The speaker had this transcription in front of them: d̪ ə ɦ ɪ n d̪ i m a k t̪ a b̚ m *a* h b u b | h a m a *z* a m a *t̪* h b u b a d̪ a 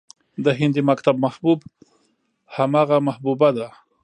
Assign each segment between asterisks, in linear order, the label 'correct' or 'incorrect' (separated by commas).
correct, incorrect, incorrect